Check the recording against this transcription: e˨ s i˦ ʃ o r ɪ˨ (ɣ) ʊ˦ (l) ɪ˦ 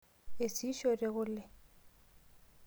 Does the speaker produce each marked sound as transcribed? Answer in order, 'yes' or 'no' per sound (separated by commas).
yes, yes